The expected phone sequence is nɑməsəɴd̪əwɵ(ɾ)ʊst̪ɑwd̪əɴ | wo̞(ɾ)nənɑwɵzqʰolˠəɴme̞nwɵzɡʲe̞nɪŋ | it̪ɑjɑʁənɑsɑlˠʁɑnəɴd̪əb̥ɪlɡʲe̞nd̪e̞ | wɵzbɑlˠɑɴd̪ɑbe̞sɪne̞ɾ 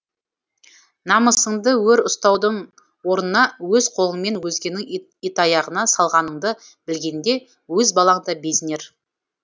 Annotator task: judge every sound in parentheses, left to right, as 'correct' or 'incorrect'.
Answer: correct, correct

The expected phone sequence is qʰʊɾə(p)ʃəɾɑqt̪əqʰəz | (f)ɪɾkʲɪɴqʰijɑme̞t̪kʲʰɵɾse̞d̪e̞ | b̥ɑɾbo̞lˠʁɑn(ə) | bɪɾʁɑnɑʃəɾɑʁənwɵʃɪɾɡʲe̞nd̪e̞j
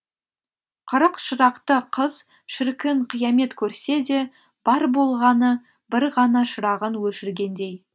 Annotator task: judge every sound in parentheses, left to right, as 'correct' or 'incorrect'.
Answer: incorrect, incorrect, correct

